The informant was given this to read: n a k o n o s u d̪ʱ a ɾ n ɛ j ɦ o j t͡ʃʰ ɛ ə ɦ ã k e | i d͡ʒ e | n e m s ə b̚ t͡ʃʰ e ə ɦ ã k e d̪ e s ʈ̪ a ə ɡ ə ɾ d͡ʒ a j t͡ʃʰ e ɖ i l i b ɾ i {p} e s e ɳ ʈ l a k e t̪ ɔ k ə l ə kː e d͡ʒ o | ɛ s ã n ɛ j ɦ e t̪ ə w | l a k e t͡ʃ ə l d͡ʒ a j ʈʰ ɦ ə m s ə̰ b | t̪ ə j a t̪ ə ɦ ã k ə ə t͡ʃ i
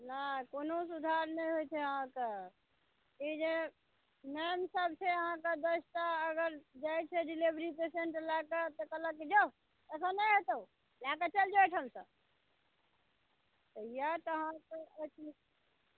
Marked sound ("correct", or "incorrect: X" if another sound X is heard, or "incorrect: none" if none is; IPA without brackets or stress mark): correct